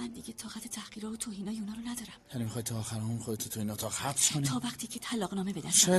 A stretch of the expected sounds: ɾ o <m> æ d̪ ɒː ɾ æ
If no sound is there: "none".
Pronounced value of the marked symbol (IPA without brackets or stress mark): n